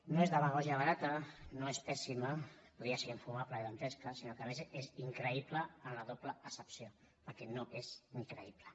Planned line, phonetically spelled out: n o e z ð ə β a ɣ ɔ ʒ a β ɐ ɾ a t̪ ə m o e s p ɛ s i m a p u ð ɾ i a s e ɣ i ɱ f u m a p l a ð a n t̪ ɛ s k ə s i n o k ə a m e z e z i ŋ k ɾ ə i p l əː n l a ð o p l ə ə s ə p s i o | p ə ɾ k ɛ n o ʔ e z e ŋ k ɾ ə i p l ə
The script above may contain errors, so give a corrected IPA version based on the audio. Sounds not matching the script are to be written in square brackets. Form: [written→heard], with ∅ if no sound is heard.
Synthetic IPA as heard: n o e z ð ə β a ɣ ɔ ʒ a β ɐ ɾ a t̪ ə [m→n] o e s p ɛ s i m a p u ð ɾ i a s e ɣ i ɱ f u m a p l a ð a n t̪ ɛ s k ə s i n o k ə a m e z e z i ŋ k ɾ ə i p l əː n l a ð o p l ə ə s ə p s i o | p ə ɾ k ɛ n o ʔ e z [e→i] ŋ k ɾ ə i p l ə

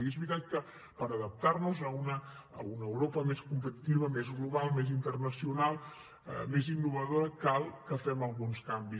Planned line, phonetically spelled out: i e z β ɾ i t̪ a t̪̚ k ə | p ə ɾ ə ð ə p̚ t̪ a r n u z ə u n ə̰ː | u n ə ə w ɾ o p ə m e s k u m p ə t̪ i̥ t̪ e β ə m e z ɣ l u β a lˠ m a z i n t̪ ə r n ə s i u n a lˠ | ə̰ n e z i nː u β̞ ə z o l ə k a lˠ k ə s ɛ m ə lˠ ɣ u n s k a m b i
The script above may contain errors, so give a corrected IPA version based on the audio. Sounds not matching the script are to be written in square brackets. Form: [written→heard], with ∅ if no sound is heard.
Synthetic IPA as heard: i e z β ɾ i t̪ a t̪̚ k ə | p ə ɾ ə ð ə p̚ t̪ a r n u z ə u n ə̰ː | u n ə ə w ɾ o p ə m e s k u m p ə t̪ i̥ t̪ [e→i] β ə m e z ɣ l u β a lˠ m [a→e] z i n t̪ ə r n ə s i u n a lˠ | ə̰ [n→m] e z i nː u β̞ ə [z→ð] o [l→ɾ] ə k a lˠ k ə [s→f] ɛ m ə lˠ ɣ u n s k a m b i

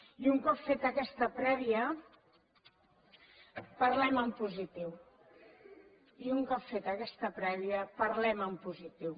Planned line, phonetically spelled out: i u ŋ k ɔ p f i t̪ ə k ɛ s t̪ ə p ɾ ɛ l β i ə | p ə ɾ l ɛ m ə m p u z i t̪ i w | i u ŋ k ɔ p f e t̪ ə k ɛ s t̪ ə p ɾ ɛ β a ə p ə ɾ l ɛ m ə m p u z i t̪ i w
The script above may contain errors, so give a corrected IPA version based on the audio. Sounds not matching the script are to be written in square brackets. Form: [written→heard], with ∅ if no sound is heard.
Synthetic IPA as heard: i u ŋ k ɔ p f [i→e] t̪ ə k ɛ s t̪ ə p ɾ ɛ [l→∅] β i ə | p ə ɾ l ɛ m ə m p u z i t̪ i w | i u ŋ k ɔ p f e t̪ ə k ɛ s t̪ ə p ɾ ɛ β [a→i] ə p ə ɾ l ɛ m ə m p u z i t̪ i w

